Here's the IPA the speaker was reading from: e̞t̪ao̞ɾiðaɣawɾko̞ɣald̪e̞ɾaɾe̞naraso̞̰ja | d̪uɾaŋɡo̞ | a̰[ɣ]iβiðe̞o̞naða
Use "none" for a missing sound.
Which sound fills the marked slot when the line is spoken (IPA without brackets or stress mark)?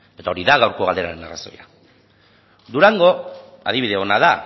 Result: ð